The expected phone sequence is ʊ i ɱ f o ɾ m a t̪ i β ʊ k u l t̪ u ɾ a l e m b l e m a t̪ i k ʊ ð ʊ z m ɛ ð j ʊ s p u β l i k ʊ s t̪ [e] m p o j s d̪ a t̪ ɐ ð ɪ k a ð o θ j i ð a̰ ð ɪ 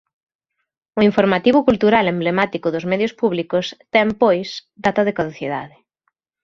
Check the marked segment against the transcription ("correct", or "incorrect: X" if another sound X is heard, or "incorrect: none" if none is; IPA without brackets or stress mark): incorrect: ɛ